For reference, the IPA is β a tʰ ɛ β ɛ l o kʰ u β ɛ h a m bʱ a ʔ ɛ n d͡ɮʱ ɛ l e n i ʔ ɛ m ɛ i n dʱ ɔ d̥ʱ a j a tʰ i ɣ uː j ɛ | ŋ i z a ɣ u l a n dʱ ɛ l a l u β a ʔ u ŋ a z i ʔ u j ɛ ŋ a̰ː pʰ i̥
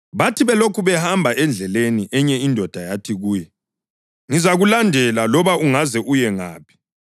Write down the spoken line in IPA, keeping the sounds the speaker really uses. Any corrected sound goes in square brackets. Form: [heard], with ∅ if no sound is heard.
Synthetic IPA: β a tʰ [i] β ɛ l o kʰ u β ɛ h a m bʱ a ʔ ɛ n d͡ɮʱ ɛ l e n i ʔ ɛ [ɲ] ɛ i n dʱ ɔ d̥ʱ a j a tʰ i ɣ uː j ɛ | ŋ i z a ɣ u l a n dʱ ɛ l a l [ɔ] β a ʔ u ŋ a z [ɛ] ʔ u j ɛ ŋ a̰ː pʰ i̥